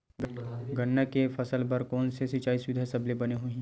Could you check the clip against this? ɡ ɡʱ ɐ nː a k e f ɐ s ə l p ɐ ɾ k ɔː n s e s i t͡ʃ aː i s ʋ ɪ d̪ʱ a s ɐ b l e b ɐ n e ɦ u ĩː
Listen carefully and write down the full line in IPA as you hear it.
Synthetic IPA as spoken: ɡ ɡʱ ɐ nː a k e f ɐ s ə l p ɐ ɾ k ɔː n s e s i t͡ʃ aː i s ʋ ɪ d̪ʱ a s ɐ b l e b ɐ n e ɦ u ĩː